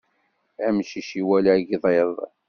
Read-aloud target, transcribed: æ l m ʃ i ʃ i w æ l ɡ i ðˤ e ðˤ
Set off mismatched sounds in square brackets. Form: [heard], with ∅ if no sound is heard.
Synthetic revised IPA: æ [∅] m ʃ i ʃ i w æ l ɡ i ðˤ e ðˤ